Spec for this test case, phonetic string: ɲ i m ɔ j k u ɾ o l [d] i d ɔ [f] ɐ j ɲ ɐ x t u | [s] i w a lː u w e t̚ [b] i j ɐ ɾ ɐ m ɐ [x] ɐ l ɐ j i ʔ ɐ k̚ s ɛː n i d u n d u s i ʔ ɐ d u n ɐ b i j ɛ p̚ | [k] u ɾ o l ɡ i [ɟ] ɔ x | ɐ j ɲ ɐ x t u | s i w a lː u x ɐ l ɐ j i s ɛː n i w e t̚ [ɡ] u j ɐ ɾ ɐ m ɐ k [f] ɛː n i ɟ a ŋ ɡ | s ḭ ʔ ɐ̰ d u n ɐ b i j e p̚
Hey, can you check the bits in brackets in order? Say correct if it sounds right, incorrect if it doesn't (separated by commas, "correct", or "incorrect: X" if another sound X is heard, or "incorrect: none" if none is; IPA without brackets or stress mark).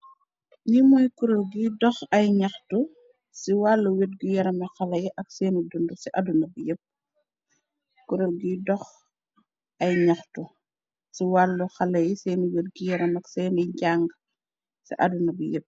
incorrect: ɡ, incorrect: x, correct, incorrect: ɡ, correct, correct, incorrect: d, correct, incorrect: s